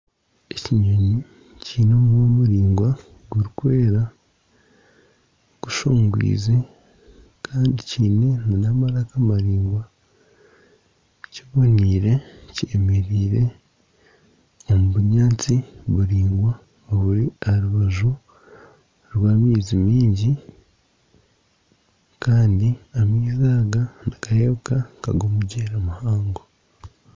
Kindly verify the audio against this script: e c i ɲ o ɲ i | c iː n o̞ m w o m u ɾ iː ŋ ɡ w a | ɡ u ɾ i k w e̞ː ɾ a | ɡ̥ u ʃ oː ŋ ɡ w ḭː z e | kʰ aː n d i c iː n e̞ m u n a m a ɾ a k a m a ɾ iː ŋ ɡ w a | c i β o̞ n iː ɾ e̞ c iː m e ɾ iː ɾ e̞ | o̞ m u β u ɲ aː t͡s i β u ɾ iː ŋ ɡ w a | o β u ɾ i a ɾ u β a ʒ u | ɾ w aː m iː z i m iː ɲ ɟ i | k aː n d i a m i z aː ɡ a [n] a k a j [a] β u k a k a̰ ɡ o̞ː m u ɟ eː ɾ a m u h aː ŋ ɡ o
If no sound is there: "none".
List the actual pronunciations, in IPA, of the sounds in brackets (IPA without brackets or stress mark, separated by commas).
n, e